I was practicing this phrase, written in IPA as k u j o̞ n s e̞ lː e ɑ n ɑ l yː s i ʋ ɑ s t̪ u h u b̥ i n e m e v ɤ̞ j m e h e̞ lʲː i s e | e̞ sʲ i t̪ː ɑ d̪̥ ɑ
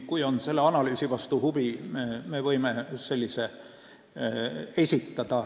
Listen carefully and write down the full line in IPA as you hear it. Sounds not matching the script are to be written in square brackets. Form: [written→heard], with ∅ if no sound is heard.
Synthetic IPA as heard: k u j o̞ n s e̞ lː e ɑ n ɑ l yː s i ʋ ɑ s t̪ u h u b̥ i [n→m] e m e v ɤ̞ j m e [h→s] e̞ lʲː i s e | e̞ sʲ i t̪ː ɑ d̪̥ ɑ